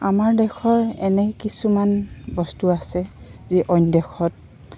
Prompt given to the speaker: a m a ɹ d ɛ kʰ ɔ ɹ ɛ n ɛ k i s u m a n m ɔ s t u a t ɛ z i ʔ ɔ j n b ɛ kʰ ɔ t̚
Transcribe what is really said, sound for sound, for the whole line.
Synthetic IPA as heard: a m a ɹ d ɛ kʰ ɔ ɹ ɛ n ɛ k i s u m a n b ɔ s t u a s ɛ z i ʔ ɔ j n d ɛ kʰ ɔ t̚